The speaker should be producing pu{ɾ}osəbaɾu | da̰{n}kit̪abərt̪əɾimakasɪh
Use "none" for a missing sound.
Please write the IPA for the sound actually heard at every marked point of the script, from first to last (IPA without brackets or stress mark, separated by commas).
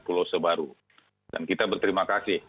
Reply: l, n